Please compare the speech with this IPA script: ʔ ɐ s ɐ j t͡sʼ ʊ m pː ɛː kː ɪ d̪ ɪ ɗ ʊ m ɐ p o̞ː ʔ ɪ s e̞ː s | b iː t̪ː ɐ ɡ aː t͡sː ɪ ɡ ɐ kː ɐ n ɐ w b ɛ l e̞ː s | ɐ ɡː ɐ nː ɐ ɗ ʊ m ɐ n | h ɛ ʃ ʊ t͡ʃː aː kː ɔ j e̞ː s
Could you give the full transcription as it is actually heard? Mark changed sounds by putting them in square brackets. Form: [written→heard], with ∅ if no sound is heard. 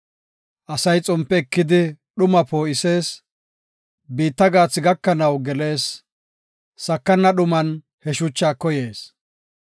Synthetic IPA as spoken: ʔ ɐ s ɐ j t͡sʼ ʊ m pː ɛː kː ɪ d̪ ɪ ɗ ʊ m ɐ p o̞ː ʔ ɪ s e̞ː s | b iː t̪ː ɐ ɡ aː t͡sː ɪ ɡ ɐ kː ɐ n ɐ w [b→ɡ] ɛ l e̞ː s | ɐ [ɡː→kː] ɐ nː ɐ ɗ ʊ m ɐ n | h ɛ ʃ ʊ t͡ʃː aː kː ɔ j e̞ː s

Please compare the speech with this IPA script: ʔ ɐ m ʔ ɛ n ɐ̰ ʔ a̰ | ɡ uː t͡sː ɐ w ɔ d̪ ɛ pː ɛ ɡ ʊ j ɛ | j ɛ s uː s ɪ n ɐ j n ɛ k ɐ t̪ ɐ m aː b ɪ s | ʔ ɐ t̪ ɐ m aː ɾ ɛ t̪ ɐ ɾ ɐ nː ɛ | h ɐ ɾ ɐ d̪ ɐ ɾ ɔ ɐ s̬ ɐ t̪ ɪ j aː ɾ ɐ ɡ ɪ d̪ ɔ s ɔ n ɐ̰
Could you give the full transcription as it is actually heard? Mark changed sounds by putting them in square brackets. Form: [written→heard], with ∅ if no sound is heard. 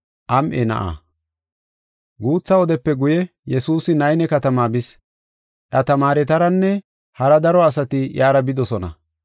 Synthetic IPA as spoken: ʔ ɐ m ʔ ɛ n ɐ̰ ʔ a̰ | ɡ uː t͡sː ɐ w ɔ d̪ ɛ pː ɛ ɡ ʊ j ɛ | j ɛ s uː s ɪ n ɐ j n ɛ k ɐ t̪ ɐ m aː b ɪ s | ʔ ɐ t̪ ɐ m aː ɾ ɛ t̪ ɐ ɾ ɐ nː ɛ | h ɐ ɾ ɐ d̪ ɐ ɾ ɔ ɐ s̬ ɐ t̪ ɪ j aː ɾ ɐ [ɡ→b] ɪ d̪ ɔ s ɔ n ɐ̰

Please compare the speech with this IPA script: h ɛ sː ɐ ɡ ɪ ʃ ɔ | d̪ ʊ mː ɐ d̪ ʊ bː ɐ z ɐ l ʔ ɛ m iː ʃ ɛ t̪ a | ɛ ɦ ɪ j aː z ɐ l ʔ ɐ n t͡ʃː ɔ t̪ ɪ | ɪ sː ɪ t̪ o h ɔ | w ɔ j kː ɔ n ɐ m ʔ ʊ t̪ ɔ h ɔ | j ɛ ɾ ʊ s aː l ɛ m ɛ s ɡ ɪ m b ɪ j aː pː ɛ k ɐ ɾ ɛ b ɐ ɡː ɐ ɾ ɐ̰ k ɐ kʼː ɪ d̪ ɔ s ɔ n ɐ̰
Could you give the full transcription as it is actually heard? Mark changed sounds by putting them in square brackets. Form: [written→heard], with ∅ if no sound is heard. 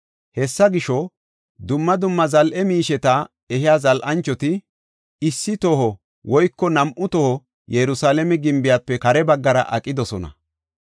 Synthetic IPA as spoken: h ɛ sː ɐ ɡ ɪ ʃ ɔ | d̪ ʊ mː ɐ d̪ ʊ [bː→mː] ɐ z ɐ l ʔ ɛ m iː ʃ ɛ t̪ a | ɛ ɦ ɪ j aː z ɐ l ʔ ɐ n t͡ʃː ɔ t̪ ɪ | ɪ sː ɪ t̪ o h ɔ | w ɔ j kː ɔ n ɐ m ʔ ʊ t̪ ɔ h ɔ | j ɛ ɾ ʊ s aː l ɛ m ɛ [s→∅] ɡ ɪ m b ɪ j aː pː ɛ k ɐ ɾ ɛ b ɐ ɡː ɐ ɾ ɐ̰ [k→ʔ] ɐ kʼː ɪ d̪ ɔ s ɔ n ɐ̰

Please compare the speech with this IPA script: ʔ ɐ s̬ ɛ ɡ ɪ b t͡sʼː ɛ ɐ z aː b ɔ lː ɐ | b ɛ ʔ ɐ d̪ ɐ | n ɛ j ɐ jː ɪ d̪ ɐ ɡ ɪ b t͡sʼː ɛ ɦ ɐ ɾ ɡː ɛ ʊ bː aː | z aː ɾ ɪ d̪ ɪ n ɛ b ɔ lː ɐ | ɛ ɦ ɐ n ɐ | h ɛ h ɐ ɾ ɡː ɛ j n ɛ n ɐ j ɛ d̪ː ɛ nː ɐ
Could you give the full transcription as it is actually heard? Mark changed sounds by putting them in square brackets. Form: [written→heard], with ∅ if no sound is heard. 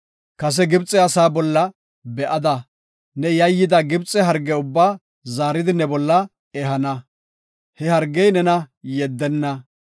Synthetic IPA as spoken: [ʔ→k] ɐ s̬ ɛ ɡ ɪ b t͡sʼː ɛ ɐ [z→s] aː b ɔ lː ɐ | b ɛ ʔ ɐ d̪ ɐ | n ɛ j ɐ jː ɪ d̪ ɐ ɡ ɪ b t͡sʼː ɛ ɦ ɐ ɾ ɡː ɛ ʊ bː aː | z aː ɾ ɪ d̪ ɪ n ɛ b ɔ lː ɐ | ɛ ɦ ɐ n ɐ | h ɛ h ɐ ɾ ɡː ɛ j n ɛ n ɐ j ɛ d̪ː ɛ nː ɐ

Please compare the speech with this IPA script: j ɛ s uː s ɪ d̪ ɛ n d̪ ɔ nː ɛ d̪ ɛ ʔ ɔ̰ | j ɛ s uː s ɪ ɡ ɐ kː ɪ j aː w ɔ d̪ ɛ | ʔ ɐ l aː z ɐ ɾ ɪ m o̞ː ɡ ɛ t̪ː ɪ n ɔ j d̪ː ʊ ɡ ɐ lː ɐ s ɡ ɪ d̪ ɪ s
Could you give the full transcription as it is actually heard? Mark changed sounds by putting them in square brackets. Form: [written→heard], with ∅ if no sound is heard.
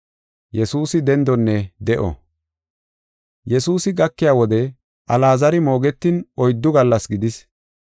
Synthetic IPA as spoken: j ɛ s uː s ɪ d̪ ɛ n d̪ ɔ nː ɛ d̪ ɛ ʔ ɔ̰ | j ɛ s uː s ɪ ɡ ɐ kː ɪ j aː w ɔ d̪ ɛ | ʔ ɐ l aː z ɐ ɾ ɪ m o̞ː ɡ ɛ t̪ː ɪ n ɔ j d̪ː ʊ ɡ ɐ lː ɐ s ɡ ɪ d̪ ɪ s

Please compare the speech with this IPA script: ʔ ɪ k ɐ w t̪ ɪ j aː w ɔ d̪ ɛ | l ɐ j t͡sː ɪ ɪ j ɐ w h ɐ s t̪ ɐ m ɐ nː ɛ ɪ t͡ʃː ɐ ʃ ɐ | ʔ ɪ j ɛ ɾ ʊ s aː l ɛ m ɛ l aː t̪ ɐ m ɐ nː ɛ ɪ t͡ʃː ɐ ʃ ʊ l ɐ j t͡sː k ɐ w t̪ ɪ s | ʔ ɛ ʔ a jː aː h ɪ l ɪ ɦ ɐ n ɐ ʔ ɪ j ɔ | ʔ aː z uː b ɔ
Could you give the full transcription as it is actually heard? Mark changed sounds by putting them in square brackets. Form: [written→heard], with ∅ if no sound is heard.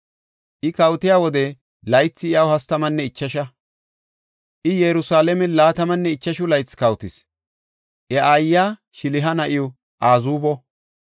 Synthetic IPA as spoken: ʔ ɪ k ɐ w t̪ ɪ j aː w ɔ d̪ ɛ | l ɐ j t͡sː ɪ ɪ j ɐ w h ɐ s t̪ ɐ m ɐ nː ɛ ɪ t͡ʃː ɐ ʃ ɐ | ʔ ɪ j ɛ ɾ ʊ s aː l ɛ m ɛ l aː t̪ ɐ m ɐ nː ɛ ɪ t͡ʃː ɐ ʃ ʊ l ɐ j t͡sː k ɐ w t̪ ɪ s | ʔ ɛ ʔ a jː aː [h→ʃ] ɪ l ɪ ɦ ɐ n ɐ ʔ ɪ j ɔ | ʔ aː z uː b ɔ

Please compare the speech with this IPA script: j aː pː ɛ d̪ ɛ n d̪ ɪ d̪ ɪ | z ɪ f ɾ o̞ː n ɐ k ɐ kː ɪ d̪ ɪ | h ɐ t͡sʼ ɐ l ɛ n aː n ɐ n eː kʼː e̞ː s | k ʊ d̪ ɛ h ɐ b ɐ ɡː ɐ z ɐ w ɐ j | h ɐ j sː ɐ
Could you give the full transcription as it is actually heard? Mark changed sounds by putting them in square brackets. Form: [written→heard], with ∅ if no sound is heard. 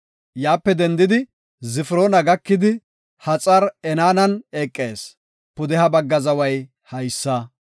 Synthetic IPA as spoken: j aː pː ɛ d̪ ɛ n d̪ ɪ d̪ ɪ | z ɪ f ɾ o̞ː n ɐ [k→ɡ] ɐ kː ɪ d̪ ɪ | h ɐ t͡sʼ ɐ [l→ɾ] ɛ n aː n ɐ n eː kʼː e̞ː s | [k→p] ʊ d̪ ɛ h ɐ b ɐ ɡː ɐ z ɐ w ɐ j | h ɐ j sː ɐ

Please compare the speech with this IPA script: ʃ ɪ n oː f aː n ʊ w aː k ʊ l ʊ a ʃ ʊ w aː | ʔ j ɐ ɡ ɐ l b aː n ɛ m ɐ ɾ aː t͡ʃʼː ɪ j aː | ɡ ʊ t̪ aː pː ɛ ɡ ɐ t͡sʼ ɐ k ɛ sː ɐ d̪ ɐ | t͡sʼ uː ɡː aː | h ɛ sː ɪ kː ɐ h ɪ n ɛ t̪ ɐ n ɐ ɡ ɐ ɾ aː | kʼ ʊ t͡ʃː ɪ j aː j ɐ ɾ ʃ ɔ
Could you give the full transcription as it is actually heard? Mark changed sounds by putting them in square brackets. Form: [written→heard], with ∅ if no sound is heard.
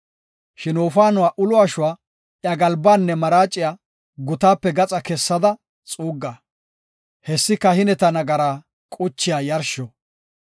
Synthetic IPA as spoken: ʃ ɪ n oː f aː n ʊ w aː [k→ʔ] ʊ l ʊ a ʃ ʊ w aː | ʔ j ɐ ɡ ɐ l b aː [n→nː] ɛ m ɐ ɾ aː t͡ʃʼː ɪ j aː | ɡ ʊ t̪ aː pː ɛ ɡ ɐ t͡sʼ ɐ k ɛ sː ɐ d̪ ɐ | t͡sʼ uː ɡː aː | h ɛ sː ɪ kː ɐ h ɪ n ɛ t̪ ɐ n ɐ ɡ ɐ ɾ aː | kʼ ʊ t͡ʃː ɪ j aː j ɐ ɾ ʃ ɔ

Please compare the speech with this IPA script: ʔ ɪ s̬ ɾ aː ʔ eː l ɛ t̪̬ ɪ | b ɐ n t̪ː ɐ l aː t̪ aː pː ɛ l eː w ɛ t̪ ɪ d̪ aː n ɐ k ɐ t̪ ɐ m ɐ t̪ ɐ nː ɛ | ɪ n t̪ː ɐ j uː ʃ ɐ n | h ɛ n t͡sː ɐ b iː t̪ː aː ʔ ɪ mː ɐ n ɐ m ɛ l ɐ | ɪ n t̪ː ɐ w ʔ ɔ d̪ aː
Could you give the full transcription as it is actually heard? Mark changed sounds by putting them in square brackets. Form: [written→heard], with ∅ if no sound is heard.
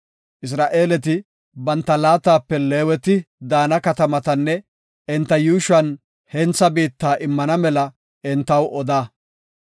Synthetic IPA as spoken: ʔ ɪ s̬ ɾ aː ʔ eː l ɛ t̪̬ ɪ | b ɐ n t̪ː ɐ l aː t̪ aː pː ɛ l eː w ɛ t̪ ɪ d̪ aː n ɐ k ɐ t̪ ɐ m ɐ t̪ ɐ nː ɛ | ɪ n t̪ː ɐ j uː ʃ ɐ n | h ɛ n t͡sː ɐ b iː t̪ː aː ʔ ɪ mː ɐ n ɐ m ɛ l ɐ | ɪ n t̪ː ɐ w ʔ ɔ d̪ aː

